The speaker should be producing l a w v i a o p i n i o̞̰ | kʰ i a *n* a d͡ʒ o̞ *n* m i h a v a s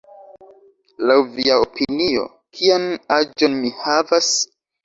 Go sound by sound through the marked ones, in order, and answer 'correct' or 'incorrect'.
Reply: correct, correct

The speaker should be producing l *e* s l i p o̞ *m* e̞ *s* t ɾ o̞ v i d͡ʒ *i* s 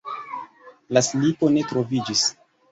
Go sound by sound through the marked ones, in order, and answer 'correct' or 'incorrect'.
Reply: incorrect: a, incorrect: n, incorrect: none, correct

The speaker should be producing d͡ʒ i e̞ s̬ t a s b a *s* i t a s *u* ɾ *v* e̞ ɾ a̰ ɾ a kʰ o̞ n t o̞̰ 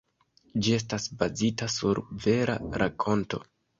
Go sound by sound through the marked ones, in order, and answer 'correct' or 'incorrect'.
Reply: incorrect: z, correct, correct

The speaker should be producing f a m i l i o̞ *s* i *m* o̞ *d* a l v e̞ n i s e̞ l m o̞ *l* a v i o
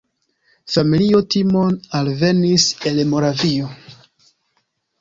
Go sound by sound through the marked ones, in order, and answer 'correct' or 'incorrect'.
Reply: incorrect: t, correct, incorrect: n, incorrect: ɾ

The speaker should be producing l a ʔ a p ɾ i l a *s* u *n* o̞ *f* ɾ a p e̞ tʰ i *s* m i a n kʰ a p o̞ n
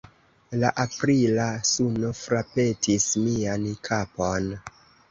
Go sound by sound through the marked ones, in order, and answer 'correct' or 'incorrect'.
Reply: correct, correct, correct, correct

